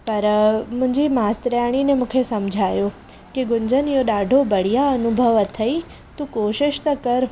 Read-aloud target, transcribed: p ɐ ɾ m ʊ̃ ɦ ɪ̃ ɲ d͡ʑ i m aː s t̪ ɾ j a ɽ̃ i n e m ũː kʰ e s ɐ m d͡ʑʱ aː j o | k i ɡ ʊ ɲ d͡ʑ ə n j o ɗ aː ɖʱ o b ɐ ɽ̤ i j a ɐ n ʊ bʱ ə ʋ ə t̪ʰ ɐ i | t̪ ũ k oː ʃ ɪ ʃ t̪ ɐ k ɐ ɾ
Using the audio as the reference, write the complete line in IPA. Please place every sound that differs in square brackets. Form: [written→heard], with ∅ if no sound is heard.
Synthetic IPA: p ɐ ɾ m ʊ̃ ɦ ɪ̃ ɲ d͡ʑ i m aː s t̪ ɾ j a ɽ̃ i n e m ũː kʰ e s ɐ m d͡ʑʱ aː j o | k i ɡ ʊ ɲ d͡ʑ ə n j o ɗ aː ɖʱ o b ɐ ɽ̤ i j a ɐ n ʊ bʱ ə ʋ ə t̪ʰ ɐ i | t̪ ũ k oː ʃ ɪ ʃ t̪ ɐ k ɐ ɾ